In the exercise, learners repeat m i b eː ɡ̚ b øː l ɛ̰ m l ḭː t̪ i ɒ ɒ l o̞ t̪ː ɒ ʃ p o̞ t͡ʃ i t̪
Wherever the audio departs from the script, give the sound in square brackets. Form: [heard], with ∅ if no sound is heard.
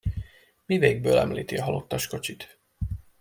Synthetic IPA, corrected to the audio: m i [v] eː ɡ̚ b øː l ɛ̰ m l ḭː t̪ i ɒ ɒ l o̞ t̪ː ɒ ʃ [k] o̞ t͡ʃ i t̪

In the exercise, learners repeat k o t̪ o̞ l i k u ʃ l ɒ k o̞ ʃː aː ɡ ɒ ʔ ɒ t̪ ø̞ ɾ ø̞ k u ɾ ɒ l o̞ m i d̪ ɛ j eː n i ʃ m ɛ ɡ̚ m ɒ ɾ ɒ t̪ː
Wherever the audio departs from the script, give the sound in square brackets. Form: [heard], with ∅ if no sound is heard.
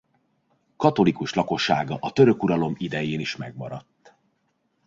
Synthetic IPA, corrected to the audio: k [ɒ] t̪ o̞ l i k u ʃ l ɒ k o̞ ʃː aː ɡ ɒ ʔ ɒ t̪ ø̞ ɾ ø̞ k u ɾ ɒ l o̞ m i d̪ ɛ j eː n i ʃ m ɛ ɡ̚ m ɒ ɾ ɒ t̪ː

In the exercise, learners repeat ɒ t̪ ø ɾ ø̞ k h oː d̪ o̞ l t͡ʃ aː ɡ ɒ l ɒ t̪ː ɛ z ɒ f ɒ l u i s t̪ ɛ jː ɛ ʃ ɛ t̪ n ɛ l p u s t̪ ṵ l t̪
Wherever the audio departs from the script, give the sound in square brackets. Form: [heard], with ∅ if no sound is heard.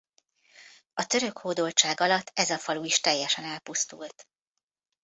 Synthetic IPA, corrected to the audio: ɒ t̪ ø ɾ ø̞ k h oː d̪ o̞ l t͡ʃ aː ɡ ɒ l ɒ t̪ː ɛ z ɒ f ɒ l u i [ʃ] t̪ ɛ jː ɛ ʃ ɛ [∅] n ɛ l p u s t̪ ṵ l t̪

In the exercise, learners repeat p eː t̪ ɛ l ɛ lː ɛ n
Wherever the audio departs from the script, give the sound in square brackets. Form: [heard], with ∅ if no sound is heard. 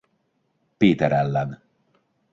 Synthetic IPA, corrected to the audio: p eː t̪ ɛ [ɾ] ɛ lː ɛ n

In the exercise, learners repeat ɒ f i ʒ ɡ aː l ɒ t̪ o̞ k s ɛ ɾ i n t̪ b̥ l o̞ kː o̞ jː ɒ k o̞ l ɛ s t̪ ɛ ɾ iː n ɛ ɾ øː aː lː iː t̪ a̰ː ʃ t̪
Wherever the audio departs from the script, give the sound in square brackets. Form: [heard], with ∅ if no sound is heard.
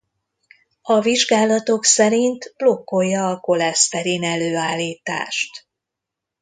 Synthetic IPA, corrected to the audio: ɒ [v] i ʒ ɡ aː l ɒ t̪ o̞ k s ɛ ɾ i n t̪ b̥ l o̞ kː o̞ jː [ɒː] k o̞ l ɛ s t̪ ɛ ɾ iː n ɛ [l] øː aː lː iː t̪ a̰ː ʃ t̪

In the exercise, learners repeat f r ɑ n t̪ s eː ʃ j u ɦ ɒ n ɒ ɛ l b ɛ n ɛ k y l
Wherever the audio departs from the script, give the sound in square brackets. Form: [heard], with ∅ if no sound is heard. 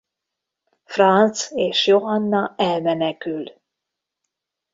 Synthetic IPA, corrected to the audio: f r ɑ n t̪ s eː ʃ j [o] ɦ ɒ [nː] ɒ ɛ l [m] ɛ n ɛ k y l

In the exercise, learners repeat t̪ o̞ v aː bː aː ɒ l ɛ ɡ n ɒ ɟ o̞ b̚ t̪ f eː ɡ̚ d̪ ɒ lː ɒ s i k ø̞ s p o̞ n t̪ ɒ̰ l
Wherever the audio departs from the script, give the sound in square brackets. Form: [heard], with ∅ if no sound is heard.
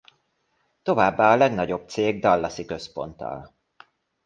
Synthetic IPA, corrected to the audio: t̪ o̞ v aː bː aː ɒ l ɛ ɡ n ɒ ɟ o̞ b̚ t̪ [s] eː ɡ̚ d̪ ɒ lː ɒ s i k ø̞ s p o̞ n t̪ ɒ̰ l

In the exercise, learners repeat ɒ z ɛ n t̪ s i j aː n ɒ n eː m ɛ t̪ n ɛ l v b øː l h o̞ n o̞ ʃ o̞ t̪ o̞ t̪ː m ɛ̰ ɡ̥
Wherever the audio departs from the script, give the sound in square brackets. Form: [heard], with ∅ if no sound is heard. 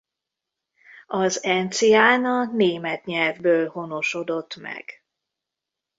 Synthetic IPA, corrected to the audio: ɒ z ɛ n t̪ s i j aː n ɒ n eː m ɛ t̪ [ɲ] ɛ l v b øː l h o̞ n o̞ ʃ o̞ [d̪] o̞ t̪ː m ɛ̰ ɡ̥

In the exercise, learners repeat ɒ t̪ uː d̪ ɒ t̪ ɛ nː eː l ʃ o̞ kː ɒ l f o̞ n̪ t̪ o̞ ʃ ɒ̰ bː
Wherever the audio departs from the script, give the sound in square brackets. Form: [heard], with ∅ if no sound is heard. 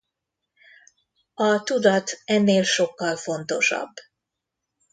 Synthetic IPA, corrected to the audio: ɒ t̪ [u] d̪ ɒ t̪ ɛ nː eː l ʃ o̞ kː ɒ l f o̞ n̪ t̪ o̞ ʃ ɒ̰ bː

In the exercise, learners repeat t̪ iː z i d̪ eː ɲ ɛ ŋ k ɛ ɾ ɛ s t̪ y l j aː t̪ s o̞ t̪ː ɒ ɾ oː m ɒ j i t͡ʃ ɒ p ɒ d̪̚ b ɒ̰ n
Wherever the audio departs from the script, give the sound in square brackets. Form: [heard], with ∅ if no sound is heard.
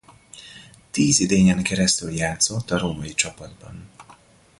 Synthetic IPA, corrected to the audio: t̪ iː z i d̪ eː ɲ ɛ ŋ k ɛ ɾ ɛ s t̪ y l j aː t̪ s o̞ t̪ː ɒ ɾ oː m ɒ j i t͡ʃ ɒ p ɒ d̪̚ b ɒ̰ n

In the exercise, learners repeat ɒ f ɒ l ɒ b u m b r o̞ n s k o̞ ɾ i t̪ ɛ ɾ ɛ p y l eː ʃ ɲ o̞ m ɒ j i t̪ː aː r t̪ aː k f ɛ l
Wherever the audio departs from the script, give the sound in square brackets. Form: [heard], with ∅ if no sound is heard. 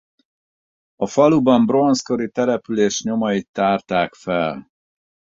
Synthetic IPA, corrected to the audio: ɒ f ɒ l [u] b [ɒ] m b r o̞ n s k o̞ ɾ i t̪ ɛ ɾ ɛ p y l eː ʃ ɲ o̞ m ɒ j i t̪ː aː r t̪ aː k f ɛ l

